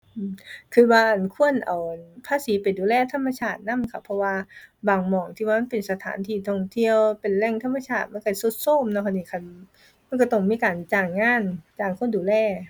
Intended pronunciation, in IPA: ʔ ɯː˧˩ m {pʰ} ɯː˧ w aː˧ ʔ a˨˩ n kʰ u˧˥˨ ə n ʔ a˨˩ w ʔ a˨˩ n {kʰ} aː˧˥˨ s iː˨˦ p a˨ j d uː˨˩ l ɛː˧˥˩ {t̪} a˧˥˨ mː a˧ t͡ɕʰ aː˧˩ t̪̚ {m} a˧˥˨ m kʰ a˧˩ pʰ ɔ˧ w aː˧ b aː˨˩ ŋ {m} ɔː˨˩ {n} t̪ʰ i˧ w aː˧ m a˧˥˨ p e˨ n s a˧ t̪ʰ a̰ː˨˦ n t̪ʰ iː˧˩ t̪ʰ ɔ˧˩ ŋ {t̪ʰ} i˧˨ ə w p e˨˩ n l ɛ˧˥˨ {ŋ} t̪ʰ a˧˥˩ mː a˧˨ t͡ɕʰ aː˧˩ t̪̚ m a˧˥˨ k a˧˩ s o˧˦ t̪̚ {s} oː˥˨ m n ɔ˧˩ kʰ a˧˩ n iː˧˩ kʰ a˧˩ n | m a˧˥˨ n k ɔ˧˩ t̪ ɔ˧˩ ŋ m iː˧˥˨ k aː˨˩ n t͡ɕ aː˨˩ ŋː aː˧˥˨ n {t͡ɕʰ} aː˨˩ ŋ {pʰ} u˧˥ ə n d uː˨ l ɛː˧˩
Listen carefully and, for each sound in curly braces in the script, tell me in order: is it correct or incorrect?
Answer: incorrect: kʰ, incorrect: pʰ, incorrect: t̪ʰ, incorrect: n, correct, incorrect: ŋ, correct, correct, correct, incorrect: t͡ɕ, incorrect: kʰ

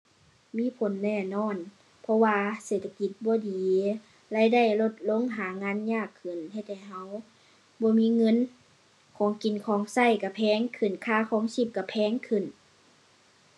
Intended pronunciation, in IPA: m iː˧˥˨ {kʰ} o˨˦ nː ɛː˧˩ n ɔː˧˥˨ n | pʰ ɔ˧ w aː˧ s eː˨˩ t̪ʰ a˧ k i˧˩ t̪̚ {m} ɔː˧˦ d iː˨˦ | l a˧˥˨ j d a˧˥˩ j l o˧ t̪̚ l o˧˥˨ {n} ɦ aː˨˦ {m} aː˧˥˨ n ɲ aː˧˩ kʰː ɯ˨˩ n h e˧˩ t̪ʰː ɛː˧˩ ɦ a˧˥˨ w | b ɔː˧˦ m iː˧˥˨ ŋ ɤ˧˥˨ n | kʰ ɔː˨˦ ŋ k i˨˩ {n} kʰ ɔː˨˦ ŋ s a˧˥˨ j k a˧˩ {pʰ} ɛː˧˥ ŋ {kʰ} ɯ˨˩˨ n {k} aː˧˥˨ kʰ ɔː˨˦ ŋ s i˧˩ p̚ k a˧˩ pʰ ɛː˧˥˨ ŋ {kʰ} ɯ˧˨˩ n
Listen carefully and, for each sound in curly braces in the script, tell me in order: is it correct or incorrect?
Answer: incorrect: pʰ, incorrect: b, incorrect: ŋ, incorrect: ŋ, correct, correct, correct, incorrect: kʰ, correct

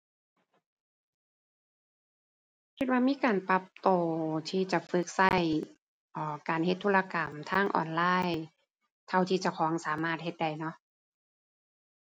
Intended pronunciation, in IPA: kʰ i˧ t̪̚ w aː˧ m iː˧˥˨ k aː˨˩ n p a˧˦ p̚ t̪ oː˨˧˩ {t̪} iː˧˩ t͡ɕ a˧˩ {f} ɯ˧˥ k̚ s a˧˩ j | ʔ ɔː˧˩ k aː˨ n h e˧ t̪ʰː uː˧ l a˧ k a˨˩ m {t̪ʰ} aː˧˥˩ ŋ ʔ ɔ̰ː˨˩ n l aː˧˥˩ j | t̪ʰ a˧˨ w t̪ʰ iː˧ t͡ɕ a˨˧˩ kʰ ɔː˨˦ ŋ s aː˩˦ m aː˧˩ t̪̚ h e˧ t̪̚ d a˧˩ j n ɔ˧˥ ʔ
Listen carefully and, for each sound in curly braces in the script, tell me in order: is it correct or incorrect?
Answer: incorrect: t̪ʰ, correct, correct

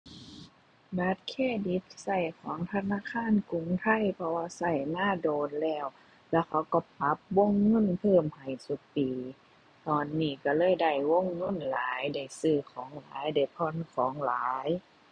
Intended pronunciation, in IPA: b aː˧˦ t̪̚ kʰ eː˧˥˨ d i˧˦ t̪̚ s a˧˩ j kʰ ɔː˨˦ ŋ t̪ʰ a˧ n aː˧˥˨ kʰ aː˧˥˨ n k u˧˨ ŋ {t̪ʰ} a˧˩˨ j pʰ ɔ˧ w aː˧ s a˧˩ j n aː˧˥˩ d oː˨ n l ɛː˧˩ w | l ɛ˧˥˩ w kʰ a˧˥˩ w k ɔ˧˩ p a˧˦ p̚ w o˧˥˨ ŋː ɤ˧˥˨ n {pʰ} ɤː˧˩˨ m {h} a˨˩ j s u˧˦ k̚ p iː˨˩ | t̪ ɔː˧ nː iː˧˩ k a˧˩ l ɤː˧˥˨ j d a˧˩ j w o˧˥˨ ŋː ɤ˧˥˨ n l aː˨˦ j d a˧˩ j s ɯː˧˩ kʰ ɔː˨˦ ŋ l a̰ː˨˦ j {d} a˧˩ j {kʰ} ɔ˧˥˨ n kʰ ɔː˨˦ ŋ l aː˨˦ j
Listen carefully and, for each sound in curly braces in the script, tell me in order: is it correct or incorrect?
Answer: correct, correct, correct, correct, incorrect: pʰ

